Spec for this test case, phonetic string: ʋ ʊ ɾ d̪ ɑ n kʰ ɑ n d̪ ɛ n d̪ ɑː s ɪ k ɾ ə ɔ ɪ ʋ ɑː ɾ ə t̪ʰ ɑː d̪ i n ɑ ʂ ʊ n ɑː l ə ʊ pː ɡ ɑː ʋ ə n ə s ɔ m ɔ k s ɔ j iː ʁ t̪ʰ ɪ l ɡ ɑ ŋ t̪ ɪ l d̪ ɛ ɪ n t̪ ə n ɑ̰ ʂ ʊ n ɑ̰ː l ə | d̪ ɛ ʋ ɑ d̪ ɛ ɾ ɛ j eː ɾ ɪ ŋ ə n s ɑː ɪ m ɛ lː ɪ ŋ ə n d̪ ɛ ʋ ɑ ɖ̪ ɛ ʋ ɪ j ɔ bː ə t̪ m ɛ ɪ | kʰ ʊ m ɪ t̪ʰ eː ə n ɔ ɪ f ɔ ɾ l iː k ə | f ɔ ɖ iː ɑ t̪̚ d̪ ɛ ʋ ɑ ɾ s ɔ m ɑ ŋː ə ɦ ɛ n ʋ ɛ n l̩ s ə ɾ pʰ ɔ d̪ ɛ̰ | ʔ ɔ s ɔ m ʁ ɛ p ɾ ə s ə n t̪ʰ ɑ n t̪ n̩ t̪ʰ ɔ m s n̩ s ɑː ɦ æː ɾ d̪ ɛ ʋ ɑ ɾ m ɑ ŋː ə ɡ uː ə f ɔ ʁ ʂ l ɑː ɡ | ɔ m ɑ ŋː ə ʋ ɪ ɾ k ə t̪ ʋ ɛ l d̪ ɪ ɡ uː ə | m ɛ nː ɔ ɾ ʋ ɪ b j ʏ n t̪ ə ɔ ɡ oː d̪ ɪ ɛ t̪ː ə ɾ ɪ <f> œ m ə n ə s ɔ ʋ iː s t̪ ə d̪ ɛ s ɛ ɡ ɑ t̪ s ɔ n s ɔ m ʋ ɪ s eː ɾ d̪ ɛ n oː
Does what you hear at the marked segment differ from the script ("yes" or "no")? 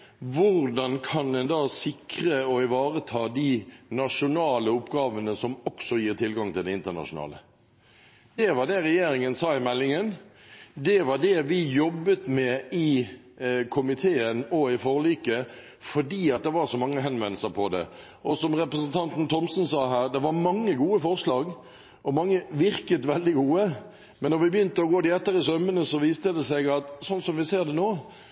yes